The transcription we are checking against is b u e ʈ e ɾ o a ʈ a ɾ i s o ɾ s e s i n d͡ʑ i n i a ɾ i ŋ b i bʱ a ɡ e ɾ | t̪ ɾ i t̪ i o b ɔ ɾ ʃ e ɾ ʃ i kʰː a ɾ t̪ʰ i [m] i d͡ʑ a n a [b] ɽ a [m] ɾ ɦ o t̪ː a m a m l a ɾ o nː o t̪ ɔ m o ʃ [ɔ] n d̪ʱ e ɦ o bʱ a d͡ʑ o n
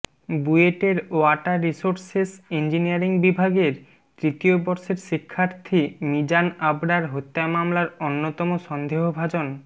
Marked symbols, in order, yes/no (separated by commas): yes, yes, no, yes